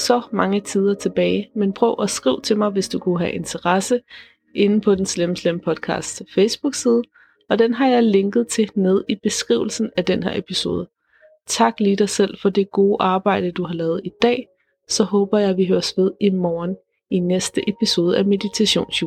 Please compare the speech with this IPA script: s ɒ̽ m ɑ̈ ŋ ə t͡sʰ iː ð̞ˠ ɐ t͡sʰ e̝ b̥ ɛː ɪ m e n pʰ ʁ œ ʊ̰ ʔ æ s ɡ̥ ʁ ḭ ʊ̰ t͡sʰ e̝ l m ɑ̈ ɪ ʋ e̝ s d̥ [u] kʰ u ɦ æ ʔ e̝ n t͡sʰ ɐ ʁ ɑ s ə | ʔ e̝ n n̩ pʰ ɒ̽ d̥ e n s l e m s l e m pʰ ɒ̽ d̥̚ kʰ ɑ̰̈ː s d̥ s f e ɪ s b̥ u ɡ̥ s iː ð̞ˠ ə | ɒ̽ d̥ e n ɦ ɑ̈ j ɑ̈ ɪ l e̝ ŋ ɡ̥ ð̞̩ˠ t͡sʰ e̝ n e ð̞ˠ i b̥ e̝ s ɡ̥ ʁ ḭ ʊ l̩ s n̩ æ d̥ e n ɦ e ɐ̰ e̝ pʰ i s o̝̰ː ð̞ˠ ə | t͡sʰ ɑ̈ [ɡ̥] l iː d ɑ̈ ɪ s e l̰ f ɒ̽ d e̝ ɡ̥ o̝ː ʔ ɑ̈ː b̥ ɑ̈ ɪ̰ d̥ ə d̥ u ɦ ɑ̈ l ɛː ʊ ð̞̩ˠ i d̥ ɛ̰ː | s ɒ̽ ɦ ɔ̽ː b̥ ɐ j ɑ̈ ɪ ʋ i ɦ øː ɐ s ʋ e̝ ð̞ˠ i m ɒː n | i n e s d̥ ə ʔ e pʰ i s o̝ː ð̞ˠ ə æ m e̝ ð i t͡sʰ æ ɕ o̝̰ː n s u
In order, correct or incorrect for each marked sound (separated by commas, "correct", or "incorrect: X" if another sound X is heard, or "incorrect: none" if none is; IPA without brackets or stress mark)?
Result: correct, correct